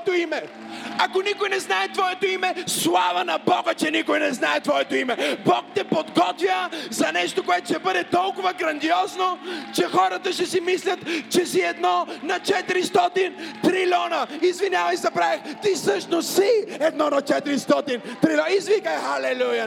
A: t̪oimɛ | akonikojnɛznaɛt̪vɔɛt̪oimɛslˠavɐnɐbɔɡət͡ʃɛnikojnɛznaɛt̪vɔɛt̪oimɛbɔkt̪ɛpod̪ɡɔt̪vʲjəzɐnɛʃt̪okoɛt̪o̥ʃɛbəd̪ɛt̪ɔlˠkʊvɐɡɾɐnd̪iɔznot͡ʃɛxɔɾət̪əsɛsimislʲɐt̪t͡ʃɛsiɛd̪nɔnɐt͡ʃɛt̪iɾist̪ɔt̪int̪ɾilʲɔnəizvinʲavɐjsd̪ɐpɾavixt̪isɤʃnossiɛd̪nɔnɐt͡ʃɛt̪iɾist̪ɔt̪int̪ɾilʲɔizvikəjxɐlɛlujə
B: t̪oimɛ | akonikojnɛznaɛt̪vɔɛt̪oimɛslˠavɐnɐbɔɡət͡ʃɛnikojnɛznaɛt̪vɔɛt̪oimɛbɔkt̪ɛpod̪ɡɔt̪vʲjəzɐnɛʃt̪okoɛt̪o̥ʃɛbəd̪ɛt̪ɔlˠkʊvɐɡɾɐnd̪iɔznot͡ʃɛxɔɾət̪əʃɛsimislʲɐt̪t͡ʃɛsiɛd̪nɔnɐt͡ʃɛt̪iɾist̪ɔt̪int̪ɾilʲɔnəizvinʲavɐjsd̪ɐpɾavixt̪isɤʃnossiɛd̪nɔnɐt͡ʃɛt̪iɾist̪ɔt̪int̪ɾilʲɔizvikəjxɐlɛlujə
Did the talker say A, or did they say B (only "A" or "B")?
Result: B